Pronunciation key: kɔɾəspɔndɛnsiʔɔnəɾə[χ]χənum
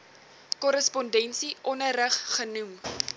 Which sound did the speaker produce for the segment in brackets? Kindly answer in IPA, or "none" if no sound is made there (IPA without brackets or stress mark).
χ